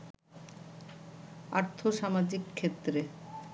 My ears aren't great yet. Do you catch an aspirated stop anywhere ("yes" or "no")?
yes